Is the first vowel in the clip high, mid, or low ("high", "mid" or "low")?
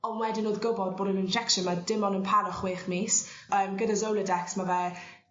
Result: mid